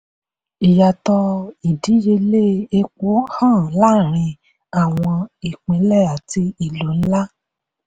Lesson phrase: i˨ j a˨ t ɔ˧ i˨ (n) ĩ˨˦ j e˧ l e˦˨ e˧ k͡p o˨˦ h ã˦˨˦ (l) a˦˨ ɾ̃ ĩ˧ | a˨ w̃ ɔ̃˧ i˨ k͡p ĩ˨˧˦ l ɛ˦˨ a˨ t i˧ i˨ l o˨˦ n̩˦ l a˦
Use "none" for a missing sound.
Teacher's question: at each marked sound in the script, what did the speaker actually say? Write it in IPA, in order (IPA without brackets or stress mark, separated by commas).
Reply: d, l